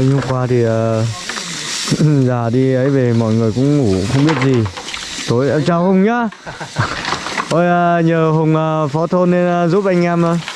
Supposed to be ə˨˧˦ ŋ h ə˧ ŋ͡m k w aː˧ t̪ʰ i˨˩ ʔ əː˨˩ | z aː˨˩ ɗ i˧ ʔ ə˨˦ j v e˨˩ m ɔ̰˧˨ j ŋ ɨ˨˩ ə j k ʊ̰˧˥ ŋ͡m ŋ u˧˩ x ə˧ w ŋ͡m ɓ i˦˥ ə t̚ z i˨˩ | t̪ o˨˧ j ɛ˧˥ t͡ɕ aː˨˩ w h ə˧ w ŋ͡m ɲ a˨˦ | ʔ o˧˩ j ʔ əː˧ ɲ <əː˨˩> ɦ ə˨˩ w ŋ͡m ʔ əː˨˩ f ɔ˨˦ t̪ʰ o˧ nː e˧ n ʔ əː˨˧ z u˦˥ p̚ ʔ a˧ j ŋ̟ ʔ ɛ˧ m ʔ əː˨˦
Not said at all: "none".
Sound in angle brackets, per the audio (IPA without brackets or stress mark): əː˨˩